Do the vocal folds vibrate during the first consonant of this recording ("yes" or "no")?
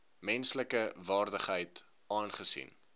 yes